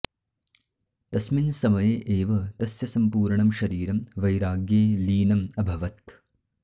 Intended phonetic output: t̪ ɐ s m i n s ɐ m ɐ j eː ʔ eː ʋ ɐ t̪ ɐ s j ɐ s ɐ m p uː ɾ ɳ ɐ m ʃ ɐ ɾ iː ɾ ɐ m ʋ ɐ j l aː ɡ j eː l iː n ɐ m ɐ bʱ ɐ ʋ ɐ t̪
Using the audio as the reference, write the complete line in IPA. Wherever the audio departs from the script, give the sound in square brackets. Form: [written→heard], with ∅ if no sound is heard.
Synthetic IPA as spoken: t̪ ɐ s m i n s ɐ m ɐ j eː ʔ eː ʋ ɐ t̪ ɐ s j ɐ s ɐ m p uː ɾ ɳ ɐ m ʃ ɐ ɾ iː ɾ ɐ m ʋ ɐ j [l→ɾ] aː ɡ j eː l iː n ɐ m ɐ bʱ ɐ ʋ ɐ t̪